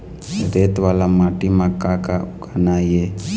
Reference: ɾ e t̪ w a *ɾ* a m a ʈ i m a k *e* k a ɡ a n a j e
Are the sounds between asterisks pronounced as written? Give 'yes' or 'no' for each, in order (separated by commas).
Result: no, no